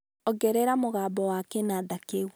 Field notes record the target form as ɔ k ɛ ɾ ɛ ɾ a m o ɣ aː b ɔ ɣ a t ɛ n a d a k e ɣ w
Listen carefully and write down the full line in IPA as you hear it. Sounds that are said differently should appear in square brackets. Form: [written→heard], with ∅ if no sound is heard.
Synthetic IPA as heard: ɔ [k→ɡ] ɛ ɾ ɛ ɾ a m o ɣ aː b ɔ [ɣ→w] a [t→k] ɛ n a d a k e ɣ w